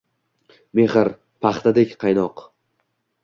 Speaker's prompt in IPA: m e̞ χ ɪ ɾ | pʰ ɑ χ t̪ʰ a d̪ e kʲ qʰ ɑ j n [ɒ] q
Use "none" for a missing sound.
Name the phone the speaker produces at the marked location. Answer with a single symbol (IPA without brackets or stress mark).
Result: ɒ